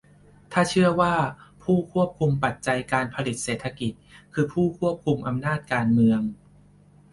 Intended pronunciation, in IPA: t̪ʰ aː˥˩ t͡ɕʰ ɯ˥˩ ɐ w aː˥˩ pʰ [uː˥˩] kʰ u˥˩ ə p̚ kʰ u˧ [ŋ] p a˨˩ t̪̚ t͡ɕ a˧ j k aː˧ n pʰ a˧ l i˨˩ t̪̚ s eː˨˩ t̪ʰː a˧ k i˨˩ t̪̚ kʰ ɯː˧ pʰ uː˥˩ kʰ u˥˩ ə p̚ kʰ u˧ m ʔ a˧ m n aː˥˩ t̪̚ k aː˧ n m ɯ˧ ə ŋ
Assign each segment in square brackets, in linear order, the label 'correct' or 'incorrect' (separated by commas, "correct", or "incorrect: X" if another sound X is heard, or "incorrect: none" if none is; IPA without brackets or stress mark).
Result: correct, incorrect: m